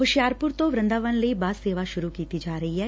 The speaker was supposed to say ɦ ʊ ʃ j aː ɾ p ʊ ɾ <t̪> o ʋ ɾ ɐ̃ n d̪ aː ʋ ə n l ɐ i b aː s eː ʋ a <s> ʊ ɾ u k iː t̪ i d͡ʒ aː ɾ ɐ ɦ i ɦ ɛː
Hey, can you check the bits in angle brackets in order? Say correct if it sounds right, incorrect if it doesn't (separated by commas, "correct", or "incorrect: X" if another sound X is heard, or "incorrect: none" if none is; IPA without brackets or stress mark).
correct, incorrect: ʃ